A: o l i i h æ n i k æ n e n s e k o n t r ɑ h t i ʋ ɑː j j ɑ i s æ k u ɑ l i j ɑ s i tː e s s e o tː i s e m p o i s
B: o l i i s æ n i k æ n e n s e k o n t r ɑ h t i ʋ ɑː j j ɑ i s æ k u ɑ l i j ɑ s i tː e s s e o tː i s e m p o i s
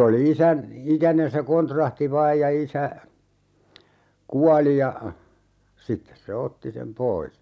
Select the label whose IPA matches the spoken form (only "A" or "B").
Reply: B